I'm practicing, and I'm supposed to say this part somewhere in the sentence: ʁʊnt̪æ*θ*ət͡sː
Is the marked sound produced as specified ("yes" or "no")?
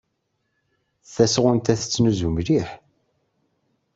yes